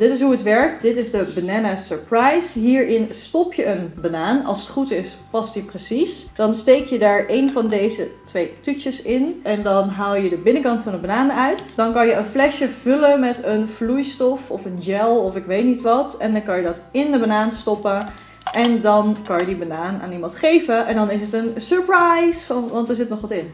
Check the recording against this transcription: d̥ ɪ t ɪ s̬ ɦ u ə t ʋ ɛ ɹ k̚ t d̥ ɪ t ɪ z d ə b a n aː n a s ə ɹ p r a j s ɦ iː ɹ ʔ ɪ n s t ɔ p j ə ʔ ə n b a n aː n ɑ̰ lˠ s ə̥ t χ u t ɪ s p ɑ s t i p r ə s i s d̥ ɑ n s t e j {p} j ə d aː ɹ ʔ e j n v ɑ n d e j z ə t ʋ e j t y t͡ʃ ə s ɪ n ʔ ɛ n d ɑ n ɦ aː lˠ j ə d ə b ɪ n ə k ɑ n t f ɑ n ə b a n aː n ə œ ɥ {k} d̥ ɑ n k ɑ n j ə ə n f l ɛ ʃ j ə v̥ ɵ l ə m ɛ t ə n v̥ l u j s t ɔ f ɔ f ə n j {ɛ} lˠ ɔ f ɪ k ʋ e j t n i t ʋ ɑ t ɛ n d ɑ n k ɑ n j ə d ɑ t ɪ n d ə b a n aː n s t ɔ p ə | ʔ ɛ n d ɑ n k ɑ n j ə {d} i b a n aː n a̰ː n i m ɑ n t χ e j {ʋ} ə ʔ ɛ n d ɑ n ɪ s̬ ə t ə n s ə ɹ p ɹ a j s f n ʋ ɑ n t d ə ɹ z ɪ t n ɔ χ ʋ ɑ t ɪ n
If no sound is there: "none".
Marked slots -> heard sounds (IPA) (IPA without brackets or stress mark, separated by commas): k, t, ɛ, d, v